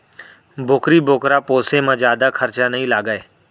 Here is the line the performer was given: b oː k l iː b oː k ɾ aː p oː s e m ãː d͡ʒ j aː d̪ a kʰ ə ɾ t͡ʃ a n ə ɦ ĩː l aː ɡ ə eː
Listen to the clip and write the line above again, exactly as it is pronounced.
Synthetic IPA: b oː k ɾ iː b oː k ɾ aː p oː s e m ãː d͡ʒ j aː d̪ a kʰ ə ɾ t͡ʃ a n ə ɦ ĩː l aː ɡ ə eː